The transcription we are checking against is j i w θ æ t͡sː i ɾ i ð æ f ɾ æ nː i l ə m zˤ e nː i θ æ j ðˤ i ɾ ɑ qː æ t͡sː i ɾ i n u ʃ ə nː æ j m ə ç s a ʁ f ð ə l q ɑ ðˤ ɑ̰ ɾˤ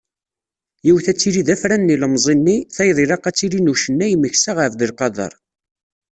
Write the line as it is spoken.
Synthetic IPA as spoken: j i w θ æ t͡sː i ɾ i ð æ f ɾ æ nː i l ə m zˤ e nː i θ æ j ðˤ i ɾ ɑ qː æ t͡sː i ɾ i n u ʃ ə nː æ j m ə ç s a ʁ f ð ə l q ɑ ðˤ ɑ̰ ɾˤ

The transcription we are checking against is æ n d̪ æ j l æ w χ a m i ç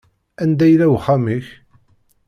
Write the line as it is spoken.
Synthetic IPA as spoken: æ n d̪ æ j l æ w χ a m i ç

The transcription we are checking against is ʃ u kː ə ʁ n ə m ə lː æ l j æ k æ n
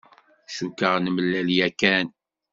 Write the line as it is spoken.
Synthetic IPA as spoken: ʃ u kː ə ʁ n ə m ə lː æ l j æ k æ n

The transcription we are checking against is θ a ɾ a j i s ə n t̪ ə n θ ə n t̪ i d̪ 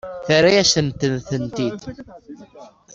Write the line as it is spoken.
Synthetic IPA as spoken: θ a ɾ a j æ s ə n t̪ ə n θ ə n t̪ i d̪

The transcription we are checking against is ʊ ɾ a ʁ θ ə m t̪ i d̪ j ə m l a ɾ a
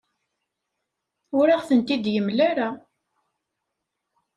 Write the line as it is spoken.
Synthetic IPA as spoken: ʊ ɾ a ʁ θ ə n t̪ i d̪ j ə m l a ɾ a

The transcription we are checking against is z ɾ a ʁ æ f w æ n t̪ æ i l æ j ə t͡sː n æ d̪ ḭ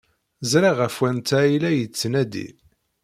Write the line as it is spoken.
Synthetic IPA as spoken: z ɾ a ʁ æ f w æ n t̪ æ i l æ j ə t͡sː n æ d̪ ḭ

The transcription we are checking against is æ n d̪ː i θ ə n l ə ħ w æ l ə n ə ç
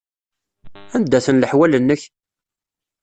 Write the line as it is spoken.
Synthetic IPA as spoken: æ n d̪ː æ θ ə n l ə ħ w æ l ə nː ə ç

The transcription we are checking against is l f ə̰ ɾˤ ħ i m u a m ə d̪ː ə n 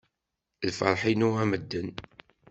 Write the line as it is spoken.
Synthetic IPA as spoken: l f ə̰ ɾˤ ħ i n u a m ə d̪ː ə n

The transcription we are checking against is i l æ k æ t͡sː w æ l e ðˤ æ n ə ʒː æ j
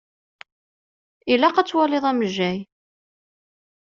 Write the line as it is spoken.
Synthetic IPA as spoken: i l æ q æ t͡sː w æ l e ðˤ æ m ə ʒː æ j

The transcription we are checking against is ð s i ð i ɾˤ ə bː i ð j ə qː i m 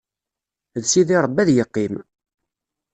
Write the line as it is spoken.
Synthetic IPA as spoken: ð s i ð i ɾˤ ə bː æ ð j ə qː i m

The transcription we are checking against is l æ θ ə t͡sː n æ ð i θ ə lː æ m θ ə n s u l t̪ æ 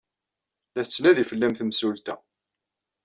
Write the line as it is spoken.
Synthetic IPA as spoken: l æ θ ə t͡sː n æ ð i f ə lː æ m θ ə m s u l t̪ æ

